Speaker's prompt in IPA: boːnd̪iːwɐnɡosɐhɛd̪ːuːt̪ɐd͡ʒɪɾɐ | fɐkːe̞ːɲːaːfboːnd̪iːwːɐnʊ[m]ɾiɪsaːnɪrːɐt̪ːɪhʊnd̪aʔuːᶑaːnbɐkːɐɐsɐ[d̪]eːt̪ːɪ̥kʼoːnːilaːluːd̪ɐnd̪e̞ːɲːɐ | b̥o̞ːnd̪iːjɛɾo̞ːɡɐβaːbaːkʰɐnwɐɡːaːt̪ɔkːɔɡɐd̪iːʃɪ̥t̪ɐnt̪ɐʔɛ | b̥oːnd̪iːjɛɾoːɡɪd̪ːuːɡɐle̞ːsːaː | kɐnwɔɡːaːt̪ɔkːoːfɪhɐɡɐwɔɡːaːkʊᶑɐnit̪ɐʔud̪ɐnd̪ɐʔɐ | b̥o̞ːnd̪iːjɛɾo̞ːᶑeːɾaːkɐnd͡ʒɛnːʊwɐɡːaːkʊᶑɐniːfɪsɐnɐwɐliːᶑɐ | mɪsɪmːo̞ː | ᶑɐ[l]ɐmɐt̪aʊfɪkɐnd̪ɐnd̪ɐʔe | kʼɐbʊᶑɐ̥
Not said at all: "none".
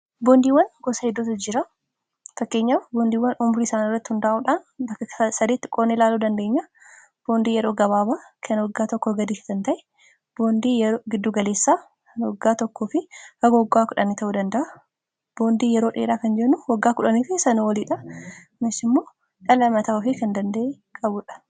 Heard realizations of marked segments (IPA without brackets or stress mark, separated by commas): m, d̪, l